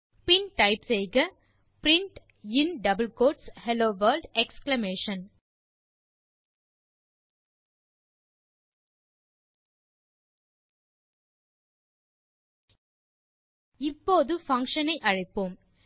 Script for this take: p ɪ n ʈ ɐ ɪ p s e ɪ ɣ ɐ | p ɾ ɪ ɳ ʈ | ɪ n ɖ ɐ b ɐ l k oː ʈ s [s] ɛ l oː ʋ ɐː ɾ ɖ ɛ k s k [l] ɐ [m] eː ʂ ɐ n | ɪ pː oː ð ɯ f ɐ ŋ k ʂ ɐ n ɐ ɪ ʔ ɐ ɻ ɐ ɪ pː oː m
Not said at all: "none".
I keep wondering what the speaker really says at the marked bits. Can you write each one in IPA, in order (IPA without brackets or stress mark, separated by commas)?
h, l, m